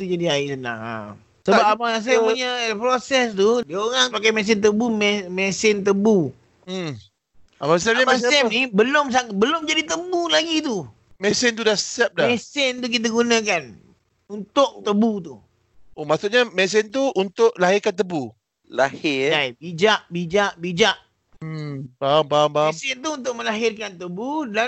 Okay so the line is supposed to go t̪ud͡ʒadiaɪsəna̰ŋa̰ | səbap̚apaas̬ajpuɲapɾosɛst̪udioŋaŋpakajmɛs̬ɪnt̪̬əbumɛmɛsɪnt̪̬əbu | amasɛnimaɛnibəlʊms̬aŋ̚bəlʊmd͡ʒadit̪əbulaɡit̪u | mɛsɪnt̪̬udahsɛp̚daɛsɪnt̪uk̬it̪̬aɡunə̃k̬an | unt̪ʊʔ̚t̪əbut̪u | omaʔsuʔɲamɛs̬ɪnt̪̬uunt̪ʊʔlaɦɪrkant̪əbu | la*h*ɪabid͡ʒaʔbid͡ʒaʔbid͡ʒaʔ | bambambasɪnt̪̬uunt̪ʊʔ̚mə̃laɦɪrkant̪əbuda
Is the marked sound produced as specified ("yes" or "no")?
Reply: yes